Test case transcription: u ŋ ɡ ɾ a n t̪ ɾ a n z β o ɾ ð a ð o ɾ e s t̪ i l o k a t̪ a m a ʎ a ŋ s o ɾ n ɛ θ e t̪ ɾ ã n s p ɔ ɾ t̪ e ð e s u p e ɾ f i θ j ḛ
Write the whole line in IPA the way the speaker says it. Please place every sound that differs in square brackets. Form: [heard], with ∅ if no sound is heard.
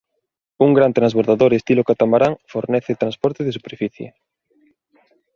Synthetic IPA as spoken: u ŋ ɡ ɾ a n t̪ ɾ a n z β o ɾ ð a ð o ɾ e s t̪ i l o k a t̪ a m a [ɾ] a ŋ [f] o ɾ n ɛ θ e t̪ ɾ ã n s p ɔ ɾ t̪ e ð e s u p e ɾ f i θ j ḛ